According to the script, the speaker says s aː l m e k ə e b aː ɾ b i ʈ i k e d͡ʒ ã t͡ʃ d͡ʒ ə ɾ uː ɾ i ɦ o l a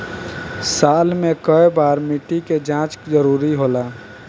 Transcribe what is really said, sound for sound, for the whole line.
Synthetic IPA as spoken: s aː l m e k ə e b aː ɾ m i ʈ i k e d͡ʒ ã t͡ʃ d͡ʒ ə ɾ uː ɾ i ɦ o l a